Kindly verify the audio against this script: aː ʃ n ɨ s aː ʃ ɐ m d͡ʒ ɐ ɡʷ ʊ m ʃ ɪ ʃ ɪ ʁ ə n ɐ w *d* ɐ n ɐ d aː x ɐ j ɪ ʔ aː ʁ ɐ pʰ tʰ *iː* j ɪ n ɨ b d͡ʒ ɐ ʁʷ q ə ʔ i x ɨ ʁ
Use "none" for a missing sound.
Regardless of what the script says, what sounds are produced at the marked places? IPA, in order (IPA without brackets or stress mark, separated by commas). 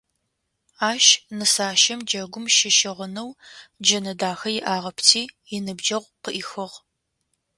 d͡ʒ, iː